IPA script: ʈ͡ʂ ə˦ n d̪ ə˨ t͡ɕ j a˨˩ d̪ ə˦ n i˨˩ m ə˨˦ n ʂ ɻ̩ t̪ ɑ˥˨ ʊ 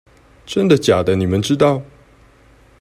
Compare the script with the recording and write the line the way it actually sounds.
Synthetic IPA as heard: ʈ͡ʂ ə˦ n d̪ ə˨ t͡ɕ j a˨˩ d̪ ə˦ n i˨˩ m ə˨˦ n ʈ͡ʂ ɻ̩ t̪ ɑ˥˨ ʊ

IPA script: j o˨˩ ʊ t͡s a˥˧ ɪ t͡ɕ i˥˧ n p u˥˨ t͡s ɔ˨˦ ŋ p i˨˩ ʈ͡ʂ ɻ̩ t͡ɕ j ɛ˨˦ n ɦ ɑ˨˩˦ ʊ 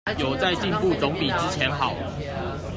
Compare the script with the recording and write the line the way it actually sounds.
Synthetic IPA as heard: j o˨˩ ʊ t͡s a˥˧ ɪ t͡ɕ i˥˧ n p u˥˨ t͡s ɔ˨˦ ŋ p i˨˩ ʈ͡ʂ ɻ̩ t͡ɕʰ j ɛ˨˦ n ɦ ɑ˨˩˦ ʊ

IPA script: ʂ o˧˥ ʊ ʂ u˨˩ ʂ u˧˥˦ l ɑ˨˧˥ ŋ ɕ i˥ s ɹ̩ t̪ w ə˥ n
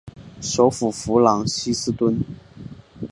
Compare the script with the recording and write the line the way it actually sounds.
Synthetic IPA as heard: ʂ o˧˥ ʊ f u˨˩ f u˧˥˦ l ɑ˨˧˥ ŋ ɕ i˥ s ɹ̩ t̪ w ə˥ n

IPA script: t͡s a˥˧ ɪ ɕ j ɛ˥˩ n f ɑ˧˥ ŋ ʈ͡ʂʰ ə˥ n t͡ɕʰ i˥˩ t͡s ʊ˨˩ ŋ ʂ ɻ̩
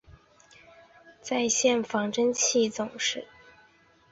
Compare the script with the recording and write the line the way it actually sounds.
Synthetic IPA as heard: t͡s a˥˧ ɪ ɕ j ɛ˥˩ n f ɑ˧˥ ŋ ʈ͡ʂ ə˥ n t͡ɕʰ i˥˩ t͡s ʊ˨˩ ŋ ʂ ɻ̩

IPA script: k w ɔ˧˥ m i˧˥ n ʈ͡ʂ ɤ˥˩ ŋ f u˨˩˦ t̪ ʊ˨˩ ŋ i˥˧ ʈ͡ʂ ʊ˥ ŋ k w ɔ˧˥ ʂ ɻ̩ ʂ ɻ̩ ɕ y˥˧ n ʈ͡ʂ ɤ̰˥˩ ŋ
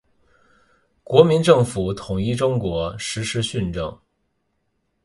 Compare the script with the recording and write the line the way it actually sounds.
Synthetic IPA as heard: k w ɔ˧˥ m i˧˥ n ʈ͡ʂ ɤ˥˩ ŋ f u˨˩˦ t̪ʰ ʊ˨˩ ŋ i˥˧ ʈ͡ʂ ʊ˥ ŋ k w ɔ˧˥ ʂ ɻ̩ ʂ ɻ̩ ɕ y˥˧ n ʈ͡ʂ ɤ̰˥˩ ŋ

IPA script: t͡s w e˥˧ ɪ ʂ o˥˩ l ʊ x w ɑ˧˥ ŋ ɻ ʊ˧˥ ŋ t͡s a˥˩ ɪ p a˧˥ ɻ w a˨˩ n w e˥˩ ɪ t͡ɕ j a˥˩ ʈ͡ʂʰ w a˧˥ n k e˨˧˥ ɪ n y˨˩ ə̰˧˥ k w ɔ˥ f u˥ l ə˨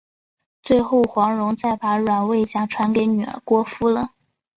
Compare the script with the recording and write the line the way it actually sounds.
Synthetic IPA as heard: t͡s w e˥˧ ɪ x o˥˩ ʊ x w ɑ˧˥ ŋ ɻ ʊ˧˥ ŋ t͡s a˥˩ ɪ p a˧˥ ɻ w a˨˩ n w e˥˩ ɪ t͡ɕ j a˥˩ ʈ͡ʂʰ w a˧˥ n k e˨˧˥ ɪ n y˨˩ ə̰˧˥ k w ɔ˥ f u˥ l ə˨

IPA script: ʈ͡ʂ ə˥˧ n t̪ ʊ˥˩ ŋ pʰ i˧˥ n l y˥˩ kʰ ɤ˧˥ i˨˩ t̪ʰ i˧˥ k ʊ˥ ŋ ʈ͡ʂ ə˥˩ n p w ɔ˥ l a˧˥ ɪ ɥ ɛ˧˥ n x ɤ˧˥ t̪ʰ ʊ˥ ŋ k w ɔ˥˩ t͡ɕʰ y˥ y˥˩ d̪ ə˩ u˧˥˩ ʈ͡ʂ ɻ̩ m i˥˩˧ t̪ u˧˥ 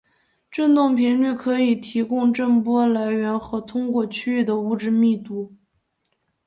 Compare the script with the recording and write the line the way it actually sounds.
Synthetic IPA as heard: ʈ͡ʂ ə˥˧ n t̪ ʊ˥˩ ŋ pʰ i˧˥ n l y˥˩ kʰ ɤ˧˥ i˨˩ t̪ʰ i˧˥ k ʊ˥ ŋ ʈ͡ʂ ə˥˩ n p w ɔ˥ l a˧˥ ɪ ɥ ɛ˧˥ n x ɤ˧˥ t̪ʰ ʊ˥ ŋ k w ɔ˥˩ t͡ɕʰ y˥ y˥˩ d̪ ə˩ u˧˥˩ ʈ͡ʂ ɻ̩ m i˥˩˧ t̪ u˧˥

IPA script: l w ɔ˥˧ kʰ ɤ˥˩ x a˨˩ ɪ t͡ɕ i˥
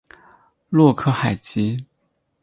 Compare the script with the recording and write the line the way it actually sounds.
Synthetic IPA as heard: l w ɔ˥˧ kʰ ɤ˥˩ x a˨˩ ɪ t͡ɕ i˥

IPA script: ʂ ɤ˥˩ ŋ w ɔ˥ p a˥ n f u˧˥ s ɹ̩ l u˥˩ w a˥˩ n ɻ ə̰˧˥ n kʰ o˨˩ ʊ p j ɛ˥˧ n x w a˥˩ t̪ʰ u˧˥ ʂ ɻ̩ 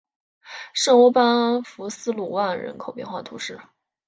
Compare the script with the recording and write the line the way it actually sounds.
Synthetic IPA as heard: ʂ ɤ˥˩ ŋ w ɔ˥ p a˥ n f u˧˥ s ɹ̩ l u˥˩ w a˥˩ n ɻ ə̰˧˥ n kʰ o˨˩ ʊ p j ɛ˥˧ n x w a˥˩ t̪ʰ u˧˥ ʂ ɻ̩

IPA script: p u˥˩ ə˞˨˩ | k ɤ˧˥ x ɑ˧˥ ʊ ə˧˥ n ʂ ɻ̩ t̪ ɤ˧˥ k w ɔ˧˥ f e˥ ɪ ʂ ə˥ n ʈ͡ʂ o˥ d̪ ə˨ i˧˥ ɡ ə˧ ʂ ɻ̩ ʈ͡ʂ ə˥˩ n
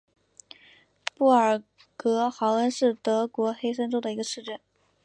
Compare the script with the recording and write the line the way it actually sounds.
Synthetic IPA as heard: p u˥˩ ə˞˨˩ | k ɤ˧˥ x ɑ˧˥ ʊ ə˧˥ n ʂ ɻ̩ t̪ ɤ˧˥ k w ɔ˧˥ x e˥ ɪ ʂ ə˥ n ʈ͡ʂ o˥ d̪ ə˨ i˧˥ ɡ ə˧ ʂ ɻ̩ ʈ͡ʂ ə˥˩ n

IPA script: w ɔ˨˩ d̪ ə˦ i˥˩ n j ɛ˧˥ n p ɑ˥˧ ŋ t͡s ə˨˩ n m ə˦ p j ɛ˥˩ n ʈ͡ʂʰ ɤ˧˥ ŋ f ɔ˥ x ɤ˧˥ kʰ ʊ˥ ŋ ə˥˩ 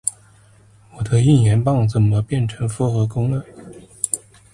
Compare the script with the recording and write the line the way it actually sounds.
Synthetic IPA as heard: w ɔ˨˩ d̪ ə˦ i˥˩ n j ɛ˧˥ n p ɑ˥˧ ŋ t͡s ə˨˩ n m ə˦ p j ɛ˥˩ n ʈ͡ʂʰ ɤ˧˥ ŋ f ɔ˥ x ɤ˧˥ k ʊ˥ ŋ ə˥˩

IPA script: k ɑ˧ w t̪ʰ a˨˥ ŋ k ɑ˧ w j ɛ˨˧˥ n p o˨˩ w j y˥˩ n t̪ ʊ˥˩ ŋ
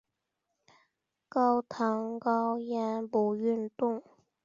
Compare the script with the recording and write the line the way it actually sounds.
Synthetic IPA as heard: k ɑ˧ w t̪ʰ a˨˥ ŋ k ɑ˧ w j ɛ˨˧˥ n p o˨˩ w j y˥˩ n t̪ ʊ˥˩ ŋ

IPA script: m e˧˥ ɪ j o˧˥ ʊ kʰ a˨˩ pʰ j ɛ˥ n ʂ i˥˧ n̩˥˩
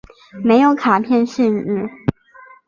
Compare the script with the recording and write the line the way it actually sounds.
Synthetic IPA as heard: m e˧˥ ɪ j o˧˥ ʊ kʰ a˨˩ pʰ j ɛ˥˧ n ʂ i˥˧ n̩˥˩

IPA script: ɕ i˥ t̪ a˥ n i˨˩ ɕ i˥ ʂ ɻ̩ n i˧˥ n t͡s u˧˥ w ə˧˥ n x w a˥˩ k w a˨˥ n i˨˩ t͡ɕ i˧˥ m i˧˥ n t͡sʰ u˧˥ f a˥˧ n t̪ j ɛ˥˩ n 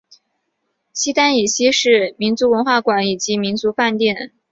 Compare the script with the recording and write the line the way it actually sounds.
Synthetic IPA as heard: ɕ i˥ t̪ a˥ n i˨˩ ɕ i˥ ʂ ɻ̩ m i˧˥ n t͡s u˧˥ w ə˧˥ n x w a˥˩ k w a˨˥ n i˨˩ t͡ɕ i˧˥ m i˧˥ n t͡s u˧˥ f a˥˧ n t̪ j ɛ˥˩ n

